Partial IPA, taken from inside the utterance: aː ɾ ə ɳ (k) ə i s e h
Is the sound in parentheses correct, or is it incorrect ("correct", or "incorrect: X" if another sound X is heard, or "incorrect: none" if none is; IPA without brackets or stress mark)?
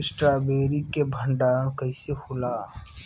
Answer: correct